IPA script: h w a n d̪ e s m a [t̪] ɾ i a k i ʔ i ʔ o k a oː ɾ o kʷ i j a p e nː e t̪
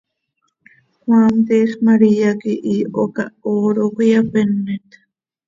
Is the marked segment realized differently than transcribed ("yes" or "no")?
yes